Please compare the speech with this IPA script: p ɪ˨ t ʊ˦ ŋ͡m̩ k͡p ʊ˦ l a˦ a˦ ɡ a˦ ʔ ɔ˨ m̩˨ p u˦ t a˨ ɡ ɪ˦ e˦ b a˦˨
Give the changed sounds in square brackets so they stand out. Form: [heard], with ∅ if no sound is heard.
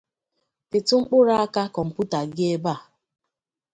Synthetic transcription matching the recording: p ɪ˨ t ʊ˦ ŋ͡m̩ k͡p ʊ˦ [ɾ] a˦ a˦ [k] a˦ [k] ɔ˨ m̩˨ p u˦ t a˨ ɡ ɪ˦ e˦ b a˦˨